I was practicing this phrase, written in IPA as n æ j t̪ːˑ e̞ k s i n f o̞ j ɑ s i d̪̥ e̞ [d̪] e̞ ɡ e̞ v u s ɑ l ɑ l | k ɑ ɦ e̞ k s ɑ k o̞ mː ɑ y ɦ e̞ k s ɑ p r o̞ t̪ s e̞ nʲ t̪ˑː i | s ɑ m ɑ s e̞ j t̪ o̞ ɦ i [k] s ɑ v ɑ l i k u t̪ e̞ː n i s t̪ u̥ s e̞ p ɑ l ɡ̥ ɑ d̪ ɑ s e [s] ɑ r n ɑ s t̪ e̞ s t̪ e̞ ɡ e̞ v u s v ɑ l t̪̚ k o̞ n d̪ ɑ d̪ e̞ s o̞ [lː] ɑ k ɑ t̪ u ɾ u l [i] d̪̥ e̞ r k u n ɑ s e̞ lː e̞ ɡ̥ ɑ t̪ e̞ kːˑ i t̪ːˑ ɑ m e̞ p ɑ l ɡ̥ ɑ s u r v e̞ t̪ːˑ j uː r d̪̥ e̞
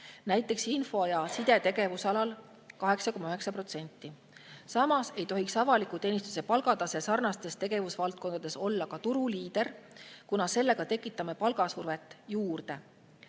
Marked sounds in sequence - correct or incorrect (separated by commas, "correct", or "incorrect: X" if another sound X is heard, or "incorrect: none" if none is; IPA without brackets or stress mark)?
incorrect: t̪, correct, correct, correct, incorrect: iː